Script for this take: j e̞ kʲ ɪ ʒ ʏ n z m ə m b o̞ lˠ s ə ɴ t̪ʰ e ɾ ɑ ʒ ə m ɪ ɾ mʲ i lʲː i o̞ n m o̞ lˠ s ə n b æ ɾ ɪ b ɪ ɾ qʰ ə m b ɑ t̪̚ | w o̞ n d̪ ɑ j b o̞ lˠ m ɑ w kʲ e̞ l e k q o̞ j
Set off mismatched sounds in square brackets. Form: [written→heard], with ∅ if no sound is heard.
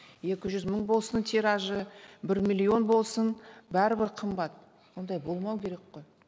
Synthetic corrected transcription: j e̞ kʲ ɪ ʒ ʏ [n→∅] z m ə [m→ɴ] b o̞ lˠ s ə [ɴ→n] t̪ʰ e ɾ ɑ ʒ ə [m→b] ɪ ɾ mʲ i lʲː i o̞ n [m→b] o̞ lˠ s ə n b æ ɾ ɪ b ɪ ɾ qʰ ə m b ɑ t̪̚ | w o̞ n d̪ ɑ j b o̞ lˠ m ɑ w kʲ e̞ [l→ɾ] e k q o̞ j

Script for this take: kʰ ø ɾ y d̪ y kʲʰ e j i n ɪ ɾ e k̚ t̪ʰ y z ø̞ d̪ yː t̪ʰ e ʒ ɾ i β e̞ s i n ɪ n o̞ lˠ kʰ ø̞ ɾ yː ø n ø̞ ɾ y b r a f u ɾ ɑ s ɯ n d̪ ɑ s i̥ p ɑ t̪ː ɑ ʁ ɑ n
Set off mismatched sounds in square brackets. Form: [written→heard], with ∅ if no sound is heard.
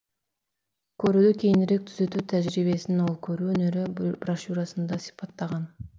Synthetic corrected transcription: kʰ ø ɾ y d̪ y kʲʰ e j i n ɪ ɾ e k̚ t̪ʰ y z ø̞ [d̪→t̪] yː t̪ʰ [e→æ] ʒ ɾ i β e̞ s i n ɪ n o̞ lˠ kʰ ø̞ ɾ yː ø n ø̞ ɾ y b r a [f→ʃ] u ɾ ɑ s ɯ n d̪ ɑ s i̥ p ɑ t̪ː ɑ ʁ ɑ n

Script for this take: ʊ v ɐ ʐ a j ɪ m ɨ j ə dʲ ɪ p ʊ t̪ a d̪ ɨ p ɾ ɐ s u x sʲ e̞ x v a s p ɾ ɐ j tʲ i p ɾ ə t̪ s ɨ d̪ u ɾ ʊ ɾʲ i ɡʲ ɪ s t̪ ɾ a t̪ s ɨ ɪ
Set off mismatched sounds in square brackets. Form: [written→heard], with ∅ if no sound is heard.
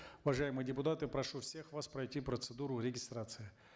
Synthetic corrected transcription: ʊ v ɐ ʐ a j ɪ m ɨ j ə dʲ ɪ p ʊ t̪ a [d̪→t̪] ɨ p ɾ ɐ [s→ʂ] u [x→f] sʲ e̞ x v a s p ɾ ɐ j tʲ i p ɾ ə t̪ s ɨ d̪ u ɾ ʊ ɾʲ [i→ɪ] ɡʲ ɪ s t̪ ɾ a t̪ s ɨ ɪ

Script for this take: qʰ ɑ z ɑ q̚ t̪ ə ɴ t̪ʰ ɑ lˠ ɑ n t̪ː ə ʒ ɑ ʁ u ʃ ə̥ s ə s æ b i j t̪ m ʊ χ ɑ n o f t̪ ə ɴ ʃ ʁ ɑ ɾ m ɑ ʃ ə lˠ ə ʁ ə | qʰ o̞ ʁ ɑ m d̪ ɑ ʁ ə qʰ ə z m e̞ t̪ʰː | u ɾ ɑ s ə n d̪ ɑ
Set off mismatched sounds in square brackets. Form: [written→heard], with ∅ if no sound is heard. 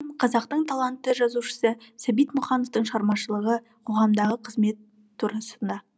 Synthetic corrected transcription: qʰ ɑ z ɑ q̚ t̪ ə ɴ t̪ʰ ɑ lˠ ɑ n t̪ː ə ʒ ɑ [ʁ→z] u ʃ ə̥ s ə s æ b i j t̪ m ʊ χ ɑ n o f t̪ ə ɴ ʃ ʁ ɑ ɾ m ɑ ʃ ə lˠ ə ʁ ə | qʰ o̞ ʁ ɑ m d̪ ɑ ʁ ə qʰ ə z m e̞ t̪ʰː | u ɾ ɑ s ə n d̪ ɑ

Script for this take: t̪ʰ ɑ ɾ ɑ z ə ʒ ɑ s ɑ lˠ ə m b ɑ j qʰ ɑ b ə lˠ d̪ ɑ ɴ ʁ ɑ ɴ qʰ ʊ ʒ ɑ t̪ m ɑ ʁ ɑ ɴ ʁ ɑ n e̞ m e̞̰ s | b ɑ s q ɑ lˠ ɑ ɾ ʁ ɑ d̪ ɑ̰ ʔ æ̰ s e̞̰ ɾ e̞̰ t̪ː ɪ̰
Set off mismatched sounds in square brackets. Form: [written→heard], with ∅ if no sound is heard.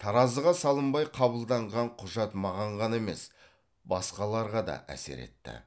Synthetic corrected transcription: t̪ʰ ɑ ɾ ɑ z ə [ʒ→ʁ] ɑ s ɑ lˠ ə m b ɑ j qʰ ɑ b ə lˠ d̪ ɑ ɴ ʁ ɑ ɴ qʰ ʊ ʒ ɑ t̪ m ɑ ʁ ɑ ɴ ʁ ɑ n e̞ m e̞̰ s | b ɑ s q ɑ lˠ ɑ ɾ ʁ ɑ d̪ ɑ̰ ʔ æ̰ s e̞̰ ɾ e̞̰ t̪ː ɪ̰

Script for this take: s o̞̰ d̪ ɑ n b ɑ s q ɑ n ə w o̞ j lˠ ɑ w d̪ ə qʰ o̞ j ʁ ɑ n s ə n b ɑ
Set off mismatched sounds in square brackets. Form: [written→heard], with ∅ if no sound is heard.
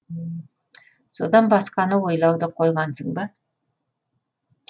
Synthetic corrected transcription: s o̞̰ d̪ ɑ n b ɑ s q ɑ n ə w o̞ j lˠ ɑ w d̪ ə qʰ o̞ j ʁ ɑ n s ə [n→ɴ] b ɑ

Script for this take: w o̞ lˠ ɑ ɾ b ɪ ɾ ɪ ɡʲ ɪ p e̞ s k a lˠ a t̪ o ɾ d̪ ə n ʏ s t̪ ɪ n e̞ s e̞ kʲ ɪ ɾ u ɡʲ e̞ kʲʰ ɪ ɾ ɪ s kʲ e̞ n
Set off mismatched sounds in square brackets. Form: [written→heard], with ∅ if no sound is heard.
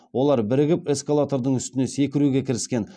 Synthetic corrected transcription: w o̞ lˠ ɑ ɾ b ɪ ɾ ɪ ɡʲ ɪ p e̞ s k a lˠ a t̪ o ɾ d̪ ə [n→ɴ] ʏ s t̪ ɪ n e̞ s e̞ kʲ ɪ ɾ u ɡʲ e̞ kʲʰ ɪ ɾ ɪ s kʲ e̞ n

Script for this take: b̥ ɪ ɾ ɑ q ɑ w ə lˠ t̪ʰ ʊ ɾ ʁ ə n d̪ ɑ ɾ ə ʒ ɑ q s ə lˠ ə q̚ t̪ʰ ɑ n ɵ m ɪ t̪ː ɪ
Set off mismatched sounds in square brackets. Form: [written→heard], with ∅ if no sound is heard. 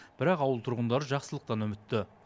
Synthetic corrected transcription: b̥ ɪ ɾ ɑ q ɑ w ə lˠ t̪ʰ ʊ ɾ ʁ ə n d̪ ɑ ɾ ə ʒ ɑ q s ə lˠ ə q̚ [t̪ʰ→t̪] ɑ n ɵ m ɪ t̪ː ɪ

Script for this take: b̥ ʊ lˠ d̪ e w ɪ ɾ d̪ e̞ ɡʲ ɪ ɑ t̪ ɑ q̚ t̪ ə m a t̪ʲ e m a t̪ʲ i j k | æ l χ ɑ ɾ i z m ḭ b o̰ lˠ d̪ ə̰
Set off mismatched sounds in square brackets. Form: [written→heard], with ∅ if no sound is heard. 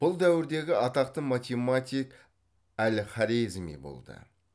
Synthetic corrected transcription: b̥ ʊ lˠ d̪ [e→æ] w ɪ ɾ d̪ e̞ ɡʲ ɪ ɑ t̪ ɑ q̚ t̪ ə m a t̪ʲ e m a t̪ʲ i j k | æ l χ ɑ ɾ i z m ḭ b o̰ lˠ d̪ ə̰

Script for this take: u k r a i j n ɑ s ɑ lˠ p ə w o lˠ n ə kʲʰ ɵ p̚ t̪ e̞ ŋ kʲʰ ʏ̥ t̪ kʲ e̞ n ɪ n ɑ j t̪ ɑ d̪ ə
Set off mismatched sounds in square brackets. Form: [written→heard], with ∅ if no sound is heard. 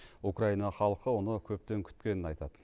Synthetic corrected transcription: u k r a i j n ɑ [s→χ] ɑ lˠ [p→q] ə w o [lˠ→∅] n ə kʲʰ ɵ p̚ t̪ e̞ ŋ kʲʰ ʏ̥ t̪ kʲ e̞ n ɪ n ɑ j t̪ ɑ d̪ ə

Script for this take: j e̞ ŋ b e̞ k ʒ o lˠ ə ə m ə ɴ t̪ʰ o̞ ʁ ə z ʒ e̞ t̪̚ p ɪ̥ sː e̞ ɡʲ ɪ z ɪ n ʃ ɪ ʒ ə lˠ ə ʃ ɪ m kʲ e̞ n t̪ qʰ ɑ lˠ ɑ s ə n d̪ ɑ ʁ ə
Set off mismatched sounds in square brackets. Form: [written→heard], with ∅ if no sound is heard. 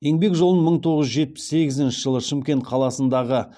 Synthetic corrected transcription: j e̞ ŋ b e̞ k ʒ o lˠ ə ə m ə ɴ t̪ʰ o̞ ʁ ə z ʒ e̞ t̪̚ p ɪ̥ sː e̞ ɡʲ ɪ z ɪ n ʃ ɪ ʒ ə lˠ ə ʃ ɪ m kʲ e̞ n t̪ qʰ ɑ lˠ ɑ s ə n d̪ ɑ ʁ ə

